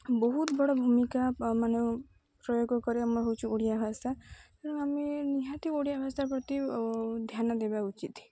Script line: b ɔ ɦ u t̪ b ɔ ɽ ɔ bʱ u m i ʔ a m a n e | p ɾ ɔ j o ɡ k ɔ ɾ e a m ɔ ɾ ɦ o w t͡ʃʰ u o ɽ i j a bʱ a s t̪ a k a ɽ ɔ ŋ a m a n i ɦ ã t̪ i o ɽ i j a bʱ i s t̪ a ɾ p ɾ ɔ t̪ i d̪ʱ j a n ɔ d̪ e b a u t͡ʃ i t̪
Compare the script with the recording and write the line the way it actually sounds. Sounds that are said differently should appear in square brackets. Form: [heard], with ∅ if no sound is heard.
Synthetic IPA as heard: b ɔ ɦ u t̪ b ɔ ɽ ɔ bʱ u m i [k] a m a n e | p ɾ ɔ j o ɡ k ɔ ɾ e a m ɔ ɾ ɦ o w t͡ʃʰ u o ɽ i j a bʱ a s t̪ a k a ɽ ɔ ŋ a m [e] n i ɦ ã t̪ i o ɽ i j a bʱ [a] s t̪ a ɾ p ɾ ɔ t̪ i d̪ʱ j a n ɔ d̪ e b a u t͡ʃ i t̪